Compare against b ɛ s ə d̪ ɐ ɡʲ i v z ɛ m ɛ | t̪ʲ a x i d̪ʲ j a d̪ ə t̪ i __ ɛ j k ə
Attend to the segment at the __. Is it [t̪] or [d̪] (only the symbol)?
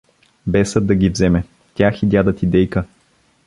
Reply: d̪